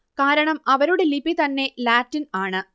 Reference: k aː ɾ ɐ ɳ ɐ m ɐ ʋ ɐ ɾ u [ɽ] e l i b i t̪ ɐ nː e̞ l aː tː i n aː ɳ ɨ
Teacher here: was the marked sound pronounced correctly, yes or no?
yes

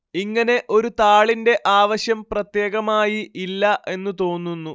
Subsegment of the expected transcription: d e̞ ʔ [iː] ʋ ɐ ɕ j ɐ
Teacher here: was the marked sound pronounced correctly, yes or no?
no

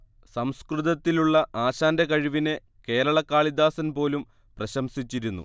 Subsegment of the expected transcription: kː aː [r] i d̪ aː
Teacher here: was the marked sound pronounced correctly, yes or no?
no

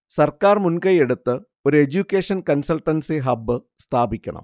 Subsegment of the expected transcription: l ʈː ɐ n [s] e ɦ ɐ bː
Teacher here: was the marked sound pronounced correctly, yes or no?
yes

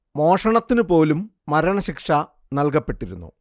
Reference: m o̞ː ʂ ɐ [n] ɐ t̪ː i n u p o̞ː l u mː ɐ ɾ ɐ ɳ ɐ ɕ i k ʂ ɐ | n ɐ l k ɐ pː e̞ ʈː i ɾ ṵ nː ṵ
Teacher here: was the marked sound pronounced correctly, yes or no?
no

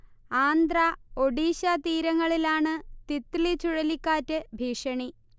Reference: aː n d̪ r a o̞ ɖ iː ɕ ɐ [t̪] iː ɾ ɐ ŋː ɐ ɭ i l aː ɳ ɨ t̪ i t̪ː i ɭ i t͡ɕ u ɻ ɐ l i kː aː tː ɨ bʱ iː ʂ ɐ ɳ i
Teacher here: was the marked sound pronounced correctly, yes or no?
yes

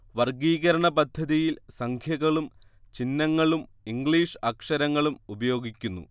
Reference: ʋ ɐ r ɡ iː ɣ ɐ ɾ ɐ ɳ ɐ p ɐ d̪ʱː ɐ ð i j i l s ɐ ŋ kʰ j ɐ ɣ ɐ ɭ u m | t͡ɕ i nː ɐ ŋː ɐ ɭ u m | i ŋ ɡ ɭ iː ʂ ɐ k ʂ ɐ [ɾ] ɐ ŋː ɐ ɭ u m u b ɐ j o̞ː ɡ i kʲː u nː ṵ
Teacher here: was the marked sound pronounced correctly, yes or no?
yes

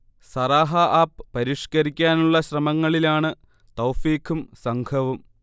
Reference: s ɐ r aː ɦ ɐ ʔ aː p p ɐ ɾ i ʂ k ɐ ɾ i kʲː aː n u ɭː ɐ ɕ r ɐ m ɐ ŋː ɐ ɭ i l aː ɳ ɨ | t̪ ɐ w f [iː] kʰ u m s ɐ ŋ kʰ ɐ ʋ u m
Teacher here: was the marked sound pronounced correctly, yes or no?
yes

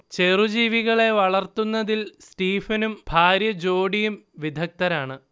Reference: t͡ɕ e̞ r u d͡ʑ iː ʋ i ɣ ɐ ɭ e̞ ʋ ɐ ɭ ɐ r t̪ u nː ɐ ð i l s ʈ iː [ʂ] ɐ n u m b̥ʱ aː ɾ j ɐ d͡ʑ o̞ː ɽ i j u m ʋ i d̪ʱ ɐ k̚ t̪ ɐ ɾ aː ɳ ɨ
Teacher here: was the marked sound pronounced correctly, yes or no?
no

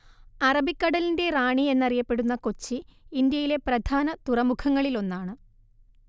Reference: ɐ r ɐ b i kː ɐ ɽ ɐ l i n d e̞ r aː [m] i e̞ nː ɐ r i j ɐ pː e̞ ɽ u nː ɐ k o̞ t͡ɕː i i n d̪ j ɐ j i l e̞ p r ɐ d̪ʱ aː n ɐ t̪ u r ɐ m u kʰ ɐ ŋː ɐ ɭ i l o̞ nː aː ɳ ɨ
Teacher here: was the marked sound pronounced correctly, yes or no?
no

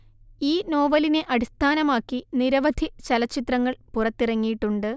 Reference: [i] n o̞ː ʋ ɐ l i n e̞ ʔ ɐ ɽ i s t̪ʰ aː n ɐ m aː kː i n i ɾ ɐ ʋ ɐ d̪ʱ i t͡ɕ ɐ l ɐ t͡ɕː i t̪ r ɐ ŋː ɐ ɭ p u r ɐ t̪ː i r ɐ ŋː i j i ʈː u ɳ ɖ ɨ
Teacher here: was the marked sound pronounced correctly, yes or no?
no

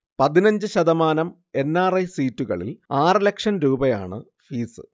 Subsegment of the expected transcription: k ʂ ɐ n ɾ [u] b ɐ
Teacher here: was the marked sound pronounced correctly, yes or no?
no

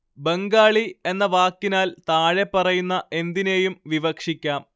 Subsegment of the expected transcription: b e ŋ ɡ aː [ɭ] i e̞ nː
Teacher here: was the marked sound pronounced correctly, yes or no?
yes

